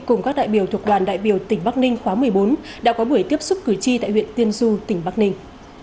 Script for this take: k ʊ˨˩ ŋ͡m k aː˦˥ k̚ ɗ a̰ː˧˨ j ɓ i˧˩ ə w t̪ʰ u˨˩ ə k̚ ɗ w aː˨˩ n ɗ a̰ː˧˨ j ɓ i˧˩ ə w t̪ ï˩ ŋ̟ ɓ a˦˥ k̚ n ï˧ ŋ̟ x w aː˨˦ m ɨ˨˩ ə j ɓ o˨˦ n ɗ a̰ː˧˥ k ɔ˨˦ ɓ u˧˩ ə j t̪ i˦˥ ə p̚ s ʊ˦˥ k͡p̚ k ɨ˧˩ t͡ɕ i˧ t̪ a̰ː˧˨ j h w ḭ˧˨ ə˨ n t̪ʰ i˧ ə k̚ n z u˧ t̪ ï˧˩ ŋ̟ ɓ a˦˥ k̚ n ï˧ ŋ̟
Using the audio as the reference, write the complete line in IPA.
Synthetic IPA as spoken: k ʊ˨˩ ŋ͡m k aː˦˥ k̚ ɗ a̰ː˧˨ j ɓ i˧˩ ə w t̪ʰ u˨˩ ə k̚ ɗ w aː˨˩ n ɗ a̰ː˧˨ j ɓ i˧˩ ə w t̪ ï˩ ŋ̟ ɓ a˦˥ k̚ n ï˧ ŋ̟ x w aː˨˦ m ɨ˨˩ ə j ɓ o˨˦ n ɗ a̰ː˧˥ k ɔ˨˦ ɓ u˧˩ ə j t̪ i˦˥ ə p̚ s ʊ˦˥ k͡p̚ k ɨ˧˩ t͡ɕ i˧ t̪ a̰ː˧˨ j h w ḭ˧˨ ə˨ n t̪ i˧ ə n z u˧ t̪ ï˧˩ ŋ̟ ɓ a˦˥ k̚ n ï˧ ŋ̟

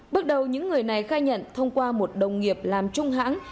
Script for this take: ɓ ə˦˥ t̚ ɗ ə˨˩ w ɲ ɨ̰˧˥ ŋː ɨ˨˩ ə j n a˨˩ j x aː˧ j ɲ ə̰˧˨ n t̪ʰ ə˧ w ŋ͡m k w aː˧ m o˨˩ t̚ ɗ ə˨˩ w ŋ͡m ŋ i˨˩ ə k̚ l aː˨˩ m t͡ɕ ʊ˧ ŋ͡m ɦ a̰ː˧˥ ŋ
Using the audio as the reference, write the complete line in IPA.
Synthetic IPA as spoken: ɓ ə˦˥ t̚ ɗ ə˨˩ w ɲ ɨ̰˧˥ ŋː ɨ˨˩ ə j n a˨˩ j x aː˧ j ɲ ə̰˧˨ n t̪ʰ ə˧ w ŋ͡m k w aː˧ m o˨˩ t̚ ɗ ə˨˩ w ŋ͡m ŋ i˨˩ ə p̚ l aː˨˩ m t͡ɕ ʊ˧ ŋ͡m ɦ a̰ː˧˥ ŋ

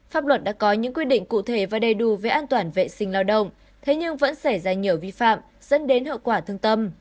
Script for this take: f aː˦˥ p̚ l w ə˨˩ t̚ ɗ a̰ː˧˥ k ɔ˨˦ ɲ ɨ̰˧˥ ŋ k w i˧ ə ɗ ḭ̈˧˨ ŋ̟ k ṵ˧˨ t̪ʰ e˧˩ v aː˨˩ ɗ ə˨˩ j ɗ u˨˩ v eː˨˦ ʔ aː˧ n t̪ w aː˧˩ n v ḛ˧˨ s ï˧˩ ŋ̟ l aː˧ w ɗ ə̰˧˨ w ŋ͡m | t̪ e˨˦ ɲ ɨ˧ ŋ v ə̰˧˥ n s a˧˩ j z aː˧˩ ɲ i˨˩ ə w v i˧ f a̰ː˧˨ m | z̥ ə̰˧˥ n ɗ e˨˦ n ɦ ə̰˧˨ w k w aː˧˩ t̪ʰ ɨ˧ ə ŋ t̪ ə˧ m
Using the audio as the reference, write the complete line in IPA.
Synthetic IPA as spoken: f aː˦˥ p̚ l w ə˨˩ t̚ ɗ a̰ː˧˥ k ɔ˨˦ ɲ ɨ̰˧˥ ŋ k w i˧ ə ɗ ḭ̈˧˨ ŋ̟ k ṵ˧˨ t̪ʰ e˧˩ v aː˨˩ ɗ ə˨˩ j ɗ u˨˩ v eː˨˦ ʔ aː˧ n t̪ w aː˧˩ n v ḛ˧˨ s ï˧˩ ŋ̟ l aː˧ w ɗ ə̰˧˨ w ŋ͡m | t̪ʰ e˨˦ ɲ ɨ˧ ŋ v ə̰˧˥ n s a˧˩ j z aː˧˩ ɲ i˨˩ ə w v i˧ f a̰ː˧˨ m | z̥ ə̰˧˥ n ɗ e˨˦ n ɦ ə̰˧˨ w k w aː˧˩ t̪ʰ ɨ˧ ə ŋ t̪ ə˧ m

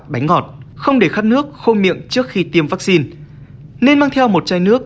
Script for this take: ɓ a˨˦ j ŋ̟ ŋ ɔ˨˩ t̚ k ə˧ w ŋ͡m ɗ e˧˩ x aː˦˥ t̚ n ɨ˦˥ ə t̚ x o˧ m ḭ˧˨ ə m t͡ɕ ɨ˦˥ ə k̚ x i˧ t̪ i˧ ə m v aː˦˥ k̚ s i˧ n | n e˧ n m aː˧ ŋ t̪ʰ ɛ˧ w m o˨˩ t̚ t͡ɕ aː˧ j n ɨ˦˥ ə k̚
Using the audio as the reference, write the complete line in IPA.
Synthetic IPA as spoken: ɓ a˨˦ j ŋ̟ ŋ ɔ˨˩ t̚ x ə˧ w ŋ͡m ɗ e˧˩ x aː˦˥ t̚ n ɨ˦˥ ə k̚ x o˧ m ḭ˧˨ ə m t͡ɕ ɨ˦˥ ə k̚ x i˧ t̪ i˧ ə m v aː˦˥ k̚ s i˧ n | n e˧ n m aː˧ ŋ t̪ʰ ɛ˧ w m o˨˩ t̚ t͡ɕ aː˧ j n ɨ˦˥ ə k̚

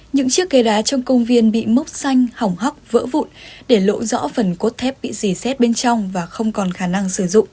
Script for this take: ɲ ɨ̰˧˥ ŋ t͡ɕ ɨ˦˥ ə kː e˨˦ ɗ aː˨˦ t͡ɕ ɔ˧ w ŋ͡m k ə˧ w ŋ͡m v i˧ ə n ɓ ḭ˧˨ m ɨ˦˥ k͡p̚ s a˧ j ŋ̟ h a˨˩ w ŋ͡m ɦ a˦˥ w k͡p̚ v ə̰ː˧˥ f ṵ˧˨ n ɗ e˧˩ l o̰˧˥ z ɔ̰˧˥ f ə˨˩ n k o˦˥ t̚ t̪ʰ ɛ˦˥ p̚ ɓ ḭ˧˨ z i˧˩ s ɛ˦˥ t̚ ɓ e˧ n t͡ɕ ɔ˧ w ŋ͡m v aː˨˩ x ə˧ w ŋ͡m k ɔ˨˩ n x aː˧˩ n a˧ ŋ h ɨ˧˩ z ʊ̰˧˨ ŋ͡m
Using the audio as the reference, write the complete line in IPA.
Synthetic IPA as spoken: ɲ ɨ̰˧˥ ŋ t͡ɕ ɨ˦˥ ə kː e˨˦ ɗ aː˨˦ t͡ɕ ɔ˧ w ŋ͡m k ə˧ w ŋ͡m v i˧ ə n ɓ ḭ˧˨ m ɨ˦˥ k͡p̚ s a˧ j ŋ̟ h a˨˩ w ŋ͡m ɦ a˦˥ w k͡p̚ v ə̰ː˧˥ v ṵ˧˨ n ɗ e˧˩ l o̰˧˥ z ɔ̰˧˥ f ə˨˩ n k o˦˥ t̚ t̪ʰ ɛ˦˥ p̚ ɓ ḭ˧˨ z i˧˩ s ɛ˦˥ t̚ ɓ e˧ n t͡ɕ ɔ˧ w ŋ͡m v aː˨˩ x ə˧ w ŋ͡m k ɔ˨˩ n x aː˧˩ n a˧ ŋ s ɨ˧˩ z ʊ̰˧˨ ŋ͡m

